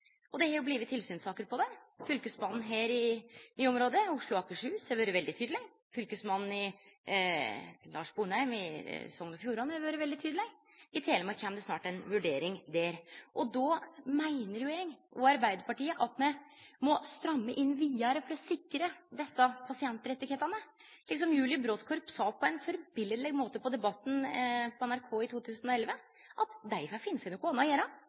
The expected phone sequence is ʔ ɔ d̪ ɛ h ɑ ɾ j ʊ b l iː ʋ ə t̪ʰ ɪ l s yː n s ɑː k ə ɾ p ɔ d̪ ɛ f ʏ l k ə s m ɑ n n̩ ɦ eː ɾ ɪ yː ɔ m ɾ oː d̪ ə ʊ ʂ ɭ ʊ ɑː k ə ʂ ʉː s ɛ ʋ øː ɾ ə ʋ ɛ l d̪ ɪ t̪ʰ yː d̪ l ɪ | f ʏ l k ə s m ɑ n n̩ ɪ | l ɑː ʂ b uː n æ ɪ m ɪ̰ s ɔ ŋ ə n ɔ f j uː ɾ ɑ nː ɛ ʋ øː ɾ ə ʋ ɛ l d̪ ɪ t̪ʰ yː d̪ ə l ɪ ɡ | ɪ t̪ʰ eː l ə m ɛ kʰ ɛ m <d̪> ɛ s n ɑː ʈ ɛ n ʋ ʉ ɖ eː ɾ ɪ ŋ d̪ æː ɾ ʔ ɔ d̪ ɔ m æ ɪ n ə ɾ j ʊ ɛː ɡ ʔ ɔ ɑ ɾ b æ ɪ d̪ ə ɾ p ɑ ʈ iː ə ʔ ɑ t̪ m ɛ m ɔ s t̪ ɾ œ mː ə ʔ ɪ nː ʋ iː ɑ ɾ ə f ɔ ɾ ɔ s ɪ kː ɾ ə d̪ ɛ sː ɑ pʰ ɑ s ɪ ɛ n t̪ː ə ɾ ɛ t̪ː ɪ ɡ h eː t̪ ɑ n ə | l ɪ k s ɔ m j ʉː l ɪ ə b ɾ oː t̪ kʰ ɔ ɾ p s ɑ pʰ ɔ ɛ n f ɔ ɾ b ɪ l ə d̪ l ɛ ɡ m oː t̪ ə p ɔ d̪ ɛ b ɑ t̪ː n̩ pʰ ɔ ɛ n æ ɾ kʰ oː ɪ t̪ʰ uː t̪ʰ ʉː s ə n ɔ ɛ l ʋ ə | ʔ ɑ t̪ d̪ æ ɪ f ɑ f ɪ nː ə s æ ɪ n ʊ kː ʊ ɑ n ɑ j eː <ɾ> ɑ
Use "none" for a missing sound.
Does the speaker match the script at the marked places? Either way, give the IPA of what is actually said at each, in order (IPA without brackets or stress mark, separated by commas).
d̪, ɾ